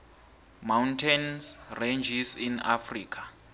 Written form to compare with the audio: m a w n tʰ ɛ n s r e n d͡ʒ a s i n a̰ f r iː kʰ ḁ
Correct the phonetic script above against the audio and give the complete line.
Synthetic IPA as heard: m a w n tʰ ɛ n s r e n d͡ʒ i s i n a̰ f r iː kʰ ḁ